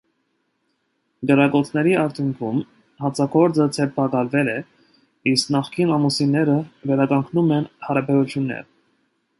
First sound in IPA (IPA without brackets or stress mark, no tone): ɡ